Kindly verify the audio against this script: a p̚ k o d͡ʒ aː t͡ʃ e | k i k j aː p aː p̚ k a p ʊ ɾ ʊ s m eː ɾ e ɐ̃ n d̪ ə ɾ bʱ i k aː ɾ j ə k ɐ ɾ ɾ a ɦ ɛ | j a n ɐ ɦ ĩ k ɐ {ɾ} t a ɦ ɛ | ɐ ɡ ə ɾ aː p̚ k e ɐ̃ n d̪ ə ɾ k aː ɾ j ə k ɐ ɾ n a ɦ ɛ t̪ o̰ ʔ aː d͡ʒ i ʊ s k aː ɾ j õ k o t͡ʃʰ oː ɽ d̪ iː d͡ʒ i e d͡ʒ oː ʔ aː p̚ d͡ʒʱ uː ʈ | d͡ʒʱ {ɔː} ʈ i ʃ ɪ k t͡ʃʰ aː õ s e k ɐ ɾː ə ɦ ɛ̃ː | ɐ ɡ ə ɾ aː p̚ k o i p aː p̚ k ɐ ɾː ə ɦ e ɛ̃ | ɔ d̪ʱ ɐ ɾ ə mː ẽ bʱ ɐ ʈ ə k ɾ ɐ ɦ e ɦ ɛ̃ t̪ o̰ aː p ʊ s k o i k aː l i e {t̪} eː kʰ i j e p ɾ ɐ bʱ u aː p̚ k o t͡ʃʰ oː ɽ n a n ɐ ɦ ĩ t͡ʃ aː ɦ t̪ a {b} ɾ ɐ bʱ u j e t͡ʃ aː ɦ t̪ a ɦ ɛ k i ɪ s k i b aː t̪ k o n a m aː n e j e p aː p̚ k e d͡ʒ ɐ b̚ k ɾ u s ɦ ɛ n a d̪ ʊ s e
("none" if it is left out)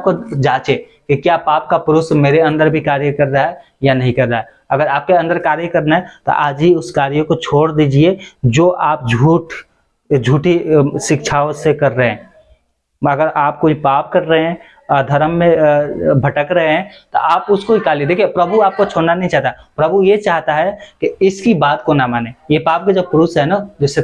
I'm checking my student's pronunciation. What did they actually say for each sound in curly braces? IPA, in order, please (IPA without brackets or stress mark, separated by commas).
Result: ɾ, uː, d̪, p